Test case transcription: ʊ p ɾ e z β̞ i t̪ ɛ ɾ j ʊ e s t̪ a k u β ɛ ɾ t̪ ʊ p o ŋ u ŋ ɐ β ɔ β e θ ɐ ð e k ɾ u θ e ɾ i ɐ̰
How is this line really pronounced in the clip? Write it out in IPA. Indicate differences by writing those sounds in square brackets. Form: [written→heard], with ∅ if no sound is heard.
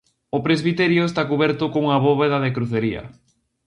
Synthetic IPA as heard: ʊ p ɾ e z β̞ i t̪ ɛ ɾ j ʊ e s t̪ a k u β ɛ ɾ t̪ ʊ [p→k] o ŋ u ŋ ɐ β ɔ β e [θ→ð] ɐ ð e k ɾ u θ e ɾ i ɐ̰